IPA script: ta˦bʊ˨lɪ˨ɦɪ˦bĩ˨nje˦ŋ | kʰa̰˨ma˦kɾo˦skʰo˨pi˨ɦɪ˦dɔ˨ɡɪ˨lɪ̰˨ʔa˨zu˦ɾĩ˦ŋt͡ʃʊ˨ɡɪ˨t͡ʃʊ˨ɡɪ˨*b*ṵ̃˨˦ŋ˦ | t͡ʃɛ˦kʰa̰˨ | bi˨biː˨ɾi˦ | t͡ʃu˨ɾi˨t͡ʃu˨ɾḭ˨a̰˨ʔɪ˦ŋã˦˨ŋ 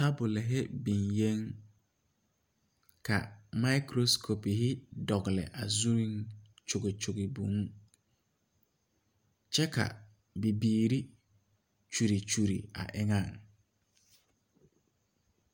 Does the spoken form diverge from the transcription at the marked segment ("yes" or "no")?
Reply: no